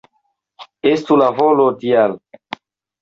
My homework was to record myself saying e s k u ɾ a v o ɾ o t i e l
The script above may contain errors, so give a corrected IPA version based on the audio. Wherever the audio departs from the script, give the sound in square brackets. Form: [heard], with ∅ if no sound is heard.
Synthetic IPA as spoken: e s [t] u [l] a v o [l] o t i [a] l